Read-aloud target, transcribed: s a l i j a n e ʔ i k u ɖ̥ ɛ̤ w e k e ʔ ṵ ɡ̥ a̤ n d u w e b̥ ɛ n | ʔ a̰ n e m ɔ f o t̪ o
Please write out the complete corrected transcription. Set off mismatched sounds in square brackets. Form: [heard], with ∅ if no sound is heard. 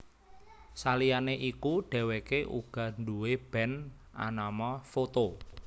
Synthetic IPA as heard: s a l i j a n e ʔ i k u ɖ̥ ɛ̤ w e k e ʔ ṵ ɡ̥ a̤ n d u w e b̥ ɛ n | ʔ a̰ n [a] m ɔ f o t̪ o